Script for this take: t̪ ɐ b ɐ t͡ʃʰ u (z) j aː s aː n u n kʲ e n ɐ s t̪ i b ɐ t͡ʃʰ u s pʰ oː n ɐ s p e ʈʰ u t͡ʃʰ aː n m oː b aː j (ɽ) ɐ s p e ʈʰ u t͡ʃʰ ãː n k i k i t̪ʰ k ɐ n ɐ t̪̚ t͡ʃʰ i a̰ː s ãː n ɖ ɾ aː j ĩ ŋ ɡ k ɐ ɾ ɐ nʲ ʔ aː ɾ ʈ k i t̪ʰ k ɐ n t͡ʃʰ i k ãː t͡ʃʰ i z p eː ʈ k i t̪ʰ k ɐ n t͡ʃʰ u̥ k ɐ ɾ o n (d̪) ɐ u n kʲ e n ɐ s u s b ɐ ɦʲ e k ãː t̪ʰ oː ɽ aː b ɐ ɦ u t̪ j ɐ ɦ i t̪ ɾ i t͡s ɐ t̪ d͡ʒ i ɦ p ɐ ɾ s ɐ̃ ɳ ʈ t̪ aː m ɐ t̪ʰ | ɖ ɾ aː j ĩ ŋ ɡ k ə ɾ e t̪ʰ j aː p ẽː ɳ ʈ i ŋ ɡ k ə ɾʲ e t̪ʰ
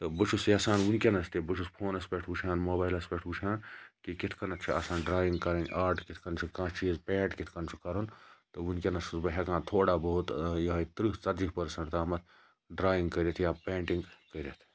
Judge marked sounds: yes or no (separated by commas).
no, no, no